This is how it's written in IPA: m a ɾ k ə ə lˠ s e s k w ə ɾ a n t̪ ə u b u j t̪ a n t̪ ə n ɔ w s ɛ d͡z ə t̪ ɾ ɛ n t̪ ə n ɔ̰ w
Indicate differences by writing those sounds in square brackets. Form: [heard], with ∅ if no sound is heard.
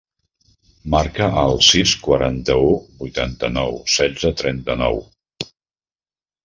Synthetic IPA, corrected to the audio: m a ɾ k ə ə lˠ s [i] s k w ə ɾ a n t̪ ə u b u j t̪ a n t̪ ə n ɔ w s ɛ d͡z ə t̪ ɾ ɛ n t̪ ə n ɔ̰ w